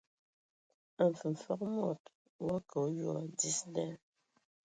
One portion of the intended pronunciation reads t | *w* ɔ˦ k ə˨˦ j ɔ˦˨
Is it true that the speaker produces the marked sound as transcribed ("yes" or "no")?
yes